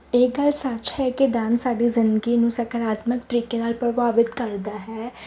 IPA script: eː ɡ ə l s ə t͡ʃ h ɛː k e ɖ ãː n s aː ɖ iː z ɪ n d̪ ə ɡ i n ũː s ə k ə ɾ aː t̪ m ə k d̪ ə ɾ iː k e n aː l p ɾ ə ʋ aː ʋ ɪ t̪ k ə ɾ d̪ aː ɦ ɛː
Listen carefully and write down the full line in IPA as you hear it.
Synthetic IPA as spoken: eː ɡ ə l s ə t͡ʃ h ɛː k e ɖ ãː n s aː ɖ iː z ɪ n d̪ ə ɡ i n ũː s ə k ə ɾ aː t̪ m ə k t̪ ə ɾ iː k e n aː l p ɾ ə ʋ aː ʋ ɪ t̪ k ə ɾ d̪ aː ɦ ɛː